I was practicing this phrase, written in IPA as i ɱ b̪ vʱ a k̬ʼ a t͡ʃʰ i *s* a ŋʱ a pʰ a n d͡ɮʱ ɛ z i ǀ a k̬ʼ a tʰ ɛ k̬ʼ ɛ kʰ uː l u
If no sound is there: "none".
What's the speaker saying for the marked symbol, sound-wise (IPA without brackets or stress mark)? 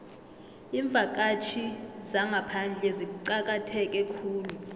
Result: z